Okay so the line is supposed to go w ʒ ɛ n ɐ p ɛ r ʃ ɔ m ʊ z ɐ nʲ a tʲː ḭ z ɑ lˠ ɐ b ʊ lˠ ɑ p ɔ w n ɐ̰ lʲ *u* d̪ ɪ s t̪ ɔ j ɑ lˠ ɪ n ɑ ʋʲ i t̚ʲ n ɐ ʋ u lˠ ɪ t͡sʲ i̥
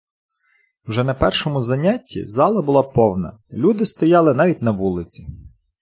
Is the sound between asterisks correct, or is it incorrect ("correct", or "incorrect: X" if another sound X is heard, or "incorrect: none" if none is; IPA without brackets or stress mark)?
correct